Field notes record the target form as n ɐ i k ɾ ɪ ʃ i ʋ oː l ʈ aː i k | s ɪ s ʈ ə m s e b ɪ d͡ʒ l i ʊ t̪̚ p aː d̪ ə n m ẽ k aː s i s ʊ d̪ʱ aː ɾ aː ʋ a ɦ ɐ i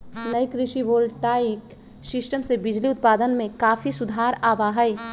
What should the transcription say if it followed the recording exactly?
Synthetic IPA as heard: n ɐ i k ɾ ɪ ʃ i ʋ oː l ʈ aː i k | s ɪ s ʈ ə m s e b ɪ d͡ʒ l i ʊ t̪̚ p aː d̪ ə n m ẽ k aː f i s ʊ d̪ʱ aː ɾ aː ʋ a ɦ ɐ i

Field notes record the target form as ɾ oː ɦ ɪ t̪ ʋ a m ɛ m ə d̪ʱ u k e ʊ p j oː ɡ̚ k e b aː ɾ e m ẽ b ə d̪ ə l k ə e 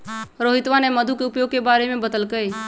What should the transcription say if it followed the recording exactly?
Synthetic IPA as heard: ɾ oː ɦ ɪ t̪ ʋ a n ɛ m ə d̪ʱ u k e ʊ p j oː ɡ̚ k e b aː ɾ e m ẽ b ə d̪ ə l k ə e

